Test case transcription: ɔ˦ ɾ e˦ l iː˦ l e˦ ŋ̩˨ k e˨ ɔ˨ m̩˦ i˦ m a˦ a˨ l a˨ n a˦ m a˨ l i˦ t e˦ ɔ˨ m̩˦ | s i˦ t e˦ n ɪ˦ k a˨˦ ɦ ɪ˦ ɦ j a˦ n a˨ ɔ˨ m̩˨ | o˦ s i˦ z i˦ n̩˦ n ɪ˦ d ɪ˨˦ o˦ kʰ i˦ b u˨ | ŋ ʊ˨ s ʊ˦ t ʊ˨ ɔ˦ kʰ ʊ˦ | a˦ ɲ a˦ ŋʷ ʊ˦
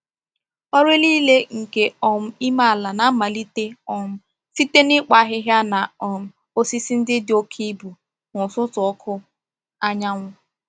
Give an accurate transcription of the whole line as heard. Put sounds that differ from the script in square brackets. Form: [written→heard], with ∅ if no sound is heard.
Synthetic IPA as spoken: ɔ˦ ɾ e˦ l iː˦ l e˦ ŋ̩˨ k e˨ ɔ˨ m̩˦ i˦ m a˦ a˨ l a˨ n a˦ m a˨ l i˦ t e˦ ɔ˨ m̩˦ | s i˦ t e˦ n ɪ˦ [k→k͡p] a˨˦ ɦ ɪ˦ ɦ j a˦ n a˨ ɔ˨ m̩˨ | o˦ s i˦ [z→s] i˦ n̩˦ [n→d] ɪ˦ d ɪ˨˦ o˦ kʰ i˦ b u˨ | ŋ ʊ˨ s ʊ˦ t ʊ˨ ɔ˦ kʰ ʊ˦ | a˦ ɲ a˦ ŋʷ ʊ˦